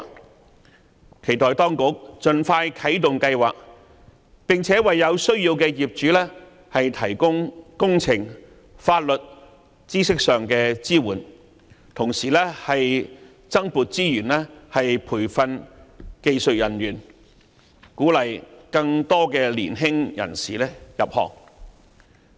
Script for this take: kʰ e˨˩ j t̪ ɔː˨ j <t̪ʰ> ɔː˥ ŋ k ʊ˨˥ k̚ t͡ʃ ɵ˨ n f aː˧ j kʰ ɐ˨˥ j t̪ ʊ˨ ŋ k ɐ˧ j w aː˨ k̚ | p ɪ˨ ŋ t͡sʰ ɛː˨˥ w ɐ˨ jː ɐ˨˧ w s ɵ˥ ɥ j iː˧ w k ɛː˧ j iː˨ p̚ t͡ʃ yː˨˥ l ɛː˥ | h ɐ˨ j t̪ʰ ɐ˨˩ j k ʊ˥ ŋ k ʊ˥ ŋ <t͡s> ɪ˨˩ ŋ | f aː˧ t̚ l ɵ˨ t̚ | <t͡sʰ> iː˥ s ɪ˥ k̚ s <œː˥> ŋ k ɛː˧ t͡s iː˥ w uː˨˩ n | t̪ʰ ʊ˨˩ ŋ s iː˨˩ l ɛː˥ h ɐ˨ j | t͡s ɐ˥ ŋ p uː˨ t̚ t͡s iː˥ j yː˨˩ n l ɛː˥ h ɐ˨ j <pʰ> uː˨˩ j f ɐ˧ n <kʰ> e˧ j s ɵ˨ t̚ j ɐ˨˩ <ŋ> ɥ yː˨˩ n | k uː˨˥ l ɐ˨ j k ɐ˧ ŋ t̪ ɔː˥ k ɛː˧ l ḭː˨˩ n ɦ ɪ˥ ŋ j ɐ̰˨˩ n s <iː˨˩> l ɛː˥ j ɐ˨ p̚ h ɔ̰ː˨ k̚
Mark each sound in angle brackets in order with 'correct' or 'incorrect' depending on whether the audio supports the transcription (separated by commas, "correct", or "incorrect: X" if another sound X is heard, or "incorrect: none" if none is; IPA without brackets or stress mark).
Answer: incorrect: t̪, incorrect: t͡sʰ, incorrect: t͡s, incorrect: œː˨, correct, incorrect: k, incorrect: n, correct